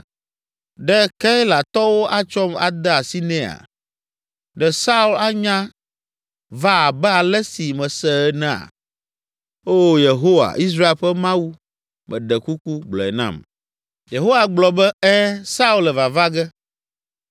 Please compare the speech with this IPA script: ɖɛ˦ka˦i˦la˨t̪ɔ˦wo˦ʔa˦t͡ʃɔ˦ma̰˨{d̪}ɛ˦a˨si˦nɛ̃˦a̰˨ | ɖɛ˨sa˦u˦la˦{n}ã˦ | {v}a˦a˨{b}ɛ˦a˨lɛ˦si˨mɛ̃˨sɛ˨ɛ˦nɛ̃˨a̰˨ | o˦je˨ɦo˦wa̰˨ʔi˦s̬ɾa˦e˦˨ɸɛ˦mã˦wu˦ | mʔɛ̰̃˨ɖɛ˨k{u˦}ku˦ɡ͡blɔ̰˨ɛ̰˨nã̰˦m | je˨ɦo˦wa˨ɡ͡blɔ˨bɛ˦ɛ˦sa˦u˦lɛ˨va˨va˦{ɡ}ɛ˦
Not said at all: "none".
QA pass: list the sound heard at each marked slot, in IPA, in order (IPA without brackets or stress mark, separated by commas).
d̪, ɲ, v, b, u˦, ɡ